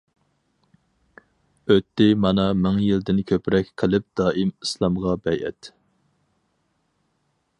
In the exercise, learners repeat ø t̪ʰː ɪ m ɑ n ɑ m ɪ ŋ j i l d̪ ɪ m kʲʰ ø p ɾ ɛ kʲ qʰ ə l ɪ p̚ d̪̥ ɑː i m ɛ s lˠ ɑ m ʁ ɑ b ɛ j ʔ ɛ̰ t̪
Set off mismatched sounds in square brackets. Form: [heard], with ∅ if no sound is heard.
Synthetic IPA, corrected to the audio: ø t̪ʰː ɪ m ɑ n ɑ m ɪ ŋ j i l d̪ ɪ [n] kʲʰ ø p ɾ ɛ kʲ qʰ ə l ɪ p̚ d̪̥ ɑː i m [i] s lˠ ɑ m ʁ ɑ b ɛ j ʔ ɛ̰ t̪